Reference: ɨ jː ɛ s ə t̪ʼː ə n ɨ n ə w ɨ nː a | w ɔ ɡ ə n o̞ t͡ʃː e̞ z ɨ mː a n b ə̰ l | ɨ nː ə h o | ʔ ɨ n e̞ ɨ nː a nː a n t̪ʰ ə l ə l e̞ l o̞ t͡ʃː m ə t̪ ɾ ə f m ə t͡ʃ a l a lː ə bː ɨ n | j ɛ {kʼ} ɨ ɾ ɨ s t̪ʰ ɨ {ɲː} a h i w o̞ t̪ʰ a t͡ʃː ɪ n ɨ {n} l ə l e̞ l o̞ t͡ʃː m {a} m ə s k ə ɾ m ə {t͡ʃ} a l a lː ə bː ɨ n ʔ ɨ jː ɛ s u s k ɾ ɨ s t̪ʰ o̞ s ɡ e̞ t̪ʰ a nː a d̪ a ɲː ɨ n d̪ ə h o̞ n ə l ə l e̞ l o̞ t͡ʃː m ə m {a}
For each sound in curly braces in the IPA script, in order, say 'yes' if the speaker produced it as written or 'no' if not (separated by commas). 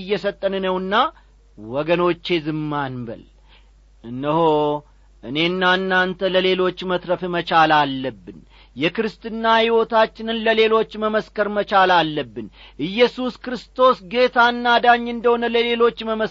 no, no, yes, no, yes, no